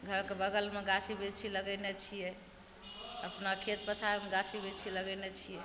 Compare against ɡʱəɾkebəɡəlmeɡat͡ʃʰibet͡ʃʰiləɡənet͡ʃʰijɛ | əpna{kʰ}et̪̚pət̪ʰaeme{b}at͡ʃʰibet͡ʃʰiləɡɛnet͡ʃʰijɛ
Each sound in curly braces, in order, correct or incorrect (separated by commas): correct, incorrect